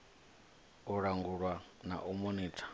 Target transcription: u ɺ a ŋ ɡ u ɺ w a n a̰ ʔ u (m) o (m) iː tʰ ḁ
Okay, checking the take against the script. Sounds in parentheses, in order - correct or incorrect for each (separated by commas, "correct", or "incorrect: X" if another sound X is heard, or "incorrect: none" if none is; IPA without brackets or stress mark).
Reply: correct, incorrect: n